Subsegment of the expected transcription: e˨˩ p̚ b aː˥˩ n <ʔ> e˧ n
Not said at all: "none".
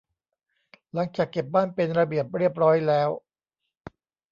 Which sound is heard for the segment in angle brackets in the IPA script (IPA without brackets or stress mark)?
p